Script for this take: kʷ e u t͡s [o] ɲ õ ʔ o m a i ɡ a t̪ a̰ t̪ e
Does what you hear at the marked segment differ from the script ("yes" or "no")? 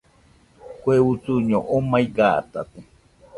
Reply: yes